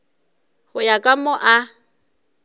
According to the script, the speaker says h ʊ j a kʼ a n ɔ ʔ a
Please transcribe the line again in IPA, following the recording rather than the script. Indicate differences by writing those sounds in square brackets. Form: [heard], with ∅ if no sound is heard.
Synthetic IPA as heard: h ʊ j a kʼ a [m] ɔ ʔ a